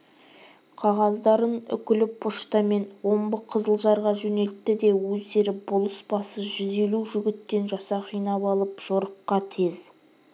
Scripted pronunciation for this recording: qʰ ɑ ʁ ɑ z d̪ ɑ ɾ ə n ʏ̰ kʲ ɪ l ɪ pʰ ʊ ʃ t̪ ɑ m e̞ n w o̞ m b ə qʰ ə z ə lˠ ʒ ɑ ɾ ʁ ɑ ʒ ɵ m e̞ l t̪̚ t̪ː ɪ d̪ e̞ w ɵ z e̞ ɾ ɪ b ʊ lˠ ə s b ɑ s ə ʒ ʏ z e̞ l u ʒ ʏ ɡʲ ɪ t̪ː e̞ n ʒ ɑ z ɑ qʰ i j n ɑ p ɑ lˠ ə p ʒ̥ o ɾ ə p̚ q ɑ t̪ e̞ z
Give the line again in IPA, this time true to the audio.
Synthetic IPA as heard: qʰ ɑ ʁ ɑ z d̪ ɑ ɾ ə n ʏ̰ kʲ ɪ l ɪ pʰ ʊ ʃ t̪ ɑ m e̞ n w o̞ m b ə qʰ ə z ə lˠ ʒ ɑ ɾ ʁ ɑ ʒ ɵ n e̞ l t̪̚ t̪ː ɪ d̪ e̞ w ɵ z e̞ ɾ ɪ b ʊ lˠ ə s b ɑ s ə ʒ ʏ z e̞ l u ʒ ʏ ɡʲ ɪ t̪ː e̞ n ʒ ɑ s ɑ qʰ i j n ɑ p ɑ lˠ ə p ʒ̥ o ɾ ə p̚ q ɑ t̪ʰ e̞ z